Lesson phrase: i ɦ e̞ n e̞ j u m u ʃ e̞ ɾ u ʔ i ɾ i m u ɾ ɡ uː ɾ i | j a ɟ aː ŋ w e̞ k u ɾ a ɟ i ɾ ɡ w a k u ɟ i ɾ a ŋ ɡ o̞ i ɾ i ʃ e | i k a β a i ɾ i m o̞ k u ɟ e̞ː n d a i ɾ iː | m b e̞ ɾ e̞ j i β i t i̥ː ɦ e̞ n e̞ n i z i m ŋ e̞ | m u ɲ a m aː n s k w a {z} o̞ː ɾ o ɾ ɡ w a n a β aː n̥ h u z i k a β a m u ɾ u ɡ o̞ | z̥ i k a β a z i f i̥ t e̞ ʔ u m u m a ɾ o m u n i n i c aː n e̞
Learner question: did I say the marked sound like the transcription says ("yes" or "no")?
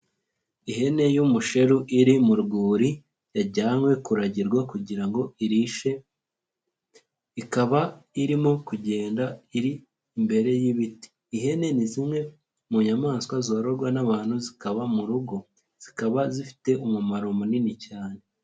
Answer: yes